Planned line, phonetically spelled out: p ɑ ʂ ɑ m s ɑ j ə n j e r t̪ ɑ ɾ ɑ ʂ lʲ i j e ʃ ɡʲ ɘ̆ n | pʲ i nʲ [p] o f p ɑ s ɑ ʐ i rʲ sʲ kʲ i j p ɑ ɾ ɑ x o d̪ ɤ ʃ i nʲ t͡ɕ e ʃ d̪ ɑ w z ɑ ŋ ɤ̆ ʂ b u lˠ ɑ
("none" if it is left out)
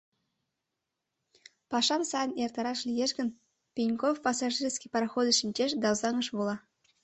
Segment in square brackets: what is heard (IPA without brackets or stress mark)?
k